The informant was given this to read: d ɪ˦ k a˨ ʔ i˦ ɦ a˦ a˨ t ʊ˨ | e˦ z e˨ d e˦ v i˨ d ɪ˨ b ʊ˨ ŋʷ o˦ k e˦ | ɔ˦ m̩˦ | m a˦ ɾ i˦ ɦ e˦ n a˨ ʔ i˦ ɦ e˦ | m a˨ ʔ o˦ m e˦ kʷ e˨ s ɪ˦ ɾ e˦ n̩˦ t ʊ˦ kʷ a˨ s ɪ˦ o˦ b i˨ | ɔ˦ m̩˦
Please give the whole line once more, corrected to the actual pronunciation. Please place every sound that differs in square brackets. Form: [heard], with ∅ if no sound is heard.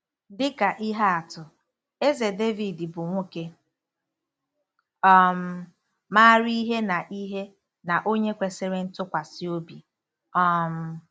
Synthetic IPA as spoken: d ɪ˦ k a˨ ʔ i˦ ɦ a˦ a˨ t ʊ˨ | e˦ z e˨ d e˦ v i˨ d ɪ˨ b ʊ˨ ŋʷ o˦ k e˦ | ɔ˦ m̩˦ | m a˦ ɾ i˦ ɦ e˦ n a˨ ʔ i˦ ɦ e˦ | [n] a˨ ʔ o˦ [ɲ] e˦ kʷ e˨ s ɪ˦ ɾ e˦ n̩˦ t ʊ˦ kʷ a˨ s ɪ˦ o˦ b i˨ | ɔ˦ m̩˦